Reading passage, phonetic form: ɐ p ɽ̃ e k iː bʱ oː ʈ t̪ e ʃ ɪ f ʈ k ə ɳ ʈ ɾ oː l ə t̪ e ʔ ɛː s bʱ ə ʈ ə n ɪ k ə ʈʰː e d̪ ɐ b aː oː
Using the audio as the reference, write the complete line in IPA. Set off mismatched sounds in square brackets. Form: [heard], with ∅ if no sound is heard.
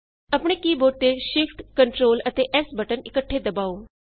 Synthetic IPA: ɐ p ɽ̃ e k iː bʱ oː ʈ t̪ e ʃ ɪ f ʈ k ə ɳ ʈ ɾ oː l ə t̪ e ʔ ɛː s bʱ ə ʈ ə n ɪ k ə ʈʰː e d̪ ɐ b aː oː